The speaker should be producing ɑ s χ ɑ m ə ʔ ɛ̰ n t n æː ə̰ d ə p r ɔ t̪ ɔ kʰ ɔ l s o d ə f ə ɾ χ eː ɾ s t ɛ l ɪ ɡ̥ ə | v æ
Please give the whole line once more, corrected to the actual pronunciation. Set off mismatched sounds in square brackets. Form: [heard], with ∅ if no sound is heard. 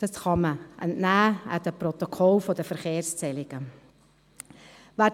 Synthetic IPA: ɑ s χ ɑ m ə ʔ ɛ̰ n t n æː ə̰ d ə p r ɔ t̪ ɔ kʰ ɔ l [f] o d ə f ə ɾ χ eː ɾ s [t͡s] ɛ l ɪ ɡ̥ ə | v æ